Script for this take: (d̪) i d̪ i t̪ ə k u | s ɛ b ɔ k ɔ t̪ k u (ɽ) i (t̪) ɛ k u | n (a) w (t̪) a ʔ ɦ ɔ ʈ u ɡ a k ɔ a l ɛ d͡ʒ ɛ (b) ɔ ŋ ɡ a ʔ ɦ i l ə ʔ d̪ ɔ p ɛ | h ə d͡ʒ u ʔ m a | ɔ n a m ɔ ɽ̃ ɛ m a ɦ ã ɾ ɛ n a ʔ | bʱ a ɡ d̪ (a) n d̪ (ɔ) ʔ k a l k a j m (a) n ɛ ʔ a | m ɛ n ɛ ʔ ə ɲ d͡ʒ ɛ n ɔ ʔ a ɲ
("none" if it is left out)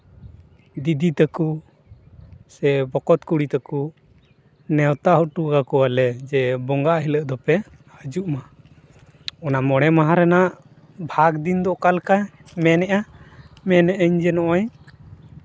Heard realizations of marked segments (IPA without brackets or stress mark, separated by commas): d̪, ɽ, t̪, ɛ, t̪, b, i, ɔ, ɛ